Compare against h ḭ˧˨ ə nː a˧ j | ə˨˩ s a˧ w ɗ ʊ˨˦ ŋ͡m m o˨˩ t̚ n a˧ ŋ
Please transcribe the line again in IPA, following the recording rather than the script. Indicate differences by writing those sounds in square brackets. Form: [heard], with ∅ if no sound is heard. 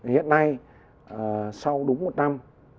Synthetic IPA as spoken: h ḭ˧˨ ə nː a˧ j | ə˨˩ s a˧ w ɗ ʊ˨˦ ŋ͡m m o˨˩ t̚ n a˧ [m]